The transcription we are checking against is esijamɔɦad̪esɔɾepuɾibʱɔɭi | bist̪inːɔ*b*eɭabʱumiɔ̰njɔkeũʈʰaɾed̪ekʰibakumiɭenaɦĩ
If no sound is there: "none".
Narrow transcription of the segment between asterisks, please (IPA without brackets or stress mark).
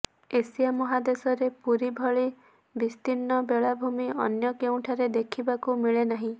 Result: b